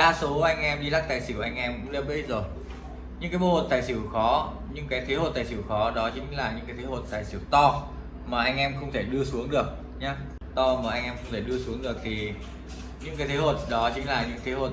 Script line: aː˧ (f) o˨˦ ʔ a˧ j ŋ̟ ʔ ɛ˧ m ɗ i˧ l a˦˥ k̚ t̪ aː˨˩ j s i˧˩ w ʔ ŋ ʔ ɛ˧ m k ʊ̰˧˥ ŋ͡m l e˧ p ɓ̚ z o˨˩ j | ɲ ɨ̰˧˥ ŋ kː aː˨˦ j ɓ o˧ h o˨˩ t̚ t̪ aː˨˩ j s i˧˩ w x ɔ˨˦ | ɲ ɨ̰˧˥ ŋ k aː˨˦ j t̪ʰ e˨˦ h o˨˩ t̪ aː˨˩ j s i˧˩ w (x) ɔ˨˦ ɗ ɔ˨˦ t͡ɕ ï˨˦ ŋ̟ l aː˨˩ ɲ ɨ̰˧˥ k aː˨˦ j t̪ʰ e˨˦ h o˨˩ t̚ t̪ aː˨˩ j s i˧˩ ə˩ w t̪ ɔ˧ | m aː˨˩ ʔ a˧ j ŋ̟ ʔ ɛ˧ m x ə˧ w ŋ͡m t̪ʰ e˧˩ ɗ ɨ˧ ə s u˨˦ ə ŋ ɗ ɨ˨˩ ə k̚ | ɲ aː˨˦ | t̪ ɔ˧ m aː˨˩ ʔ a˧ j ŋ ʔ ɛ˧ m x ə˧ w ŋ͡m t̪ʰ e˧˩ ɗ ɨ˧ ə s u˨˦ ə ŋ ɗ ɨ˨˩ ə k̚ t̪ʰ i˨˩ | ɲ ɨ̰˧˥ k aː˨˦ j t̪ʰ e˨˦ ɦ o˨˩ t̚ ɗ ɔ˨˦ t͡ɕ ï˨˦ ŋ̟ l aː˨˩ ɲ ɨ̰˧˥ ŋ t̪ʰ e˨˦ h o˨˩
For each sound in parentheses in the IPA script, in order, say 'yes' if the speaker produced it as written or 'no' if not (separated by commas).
no, yes